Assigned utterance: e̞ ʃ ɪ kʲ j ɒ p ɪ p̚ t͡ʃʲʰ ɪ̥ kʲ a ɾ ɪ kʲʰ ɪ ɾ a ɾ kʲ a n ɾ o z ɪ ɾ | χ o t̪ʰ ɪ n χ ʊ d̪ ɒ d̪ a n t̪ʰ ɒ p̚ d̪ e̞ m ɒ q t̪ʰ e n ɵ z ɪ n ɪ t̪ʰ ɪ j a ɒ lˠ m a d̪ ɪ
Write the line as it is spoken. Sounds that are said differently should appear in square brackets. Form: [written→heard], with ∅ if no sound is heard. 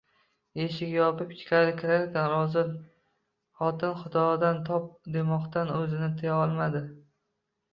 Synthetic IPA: e̞ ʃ ɪ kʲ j ɒ p ɪ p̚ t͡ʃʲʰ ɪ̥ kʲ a ɾ ɪ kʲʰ ɪ ɾ a ɾ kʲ a n ɾ [o→ɒ] z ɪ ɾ | χ [o→ɒ] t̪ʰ ɪ n χ ʊ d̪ ɒ d̪ a n t̪ʰ ɒ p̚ d̪ e̞ m ɒ q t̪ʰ [e→a] n ɵ z ɪ n ɪ t̪ʰ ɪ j a ɒ lˠ m a d̪ ɪ